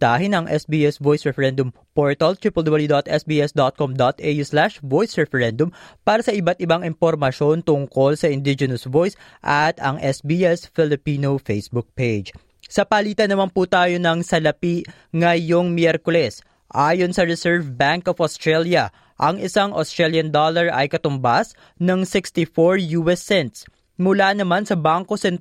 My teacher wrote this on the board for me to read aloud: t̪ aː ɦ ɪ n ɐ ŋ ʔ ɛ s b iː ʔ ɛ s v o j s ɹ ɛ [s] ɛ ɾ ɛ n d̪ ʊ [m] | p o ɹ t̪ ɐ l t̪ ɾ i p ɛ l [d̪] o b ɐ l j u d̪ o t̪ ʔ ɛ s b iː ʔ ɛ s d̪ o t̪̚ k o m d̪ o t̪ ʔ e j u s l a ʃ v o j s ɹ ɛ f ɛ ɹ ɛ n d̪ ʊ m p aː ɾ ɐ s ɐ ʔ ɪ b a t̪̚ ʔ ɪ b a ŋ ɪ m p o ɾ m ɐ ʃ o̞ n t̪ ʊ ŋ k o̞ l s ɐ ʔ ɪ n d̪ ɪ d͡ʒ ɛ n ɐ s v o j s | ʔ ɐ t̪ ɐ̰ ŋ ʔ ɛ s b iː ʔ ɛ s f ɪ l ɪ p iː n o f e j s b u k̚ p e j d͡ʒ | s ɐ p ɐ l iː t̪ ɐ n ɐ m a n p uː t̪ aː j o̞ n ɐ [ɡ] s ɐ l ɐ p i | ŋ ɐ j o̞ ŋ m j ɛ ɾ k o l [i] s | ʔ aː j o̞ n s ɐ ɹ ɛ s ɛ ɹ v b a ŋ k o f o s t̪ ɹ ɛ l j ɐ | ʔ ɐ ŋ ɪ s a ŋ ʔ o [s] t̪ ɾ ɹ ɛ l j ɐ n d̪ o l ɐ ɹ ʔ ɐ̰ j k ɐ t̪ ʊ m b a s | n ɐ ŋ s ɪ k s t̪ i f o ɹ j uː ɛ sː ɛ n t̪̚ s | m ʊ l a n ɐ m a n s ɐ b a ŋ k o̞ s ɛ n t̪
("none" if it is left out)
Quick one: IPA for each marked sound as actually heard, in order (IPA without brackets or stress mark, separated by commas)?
f, m, d̪, ŋ, ɛ, s